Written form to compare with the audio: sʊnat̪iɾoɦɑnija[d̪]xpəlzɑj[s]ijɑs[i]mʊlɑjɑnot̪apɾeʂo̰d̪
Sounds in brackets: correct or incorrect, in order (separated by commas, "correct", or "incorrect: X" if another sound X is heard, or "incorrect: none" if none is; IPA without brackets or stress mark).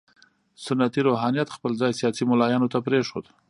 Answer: incorrect: t̪, correct, correct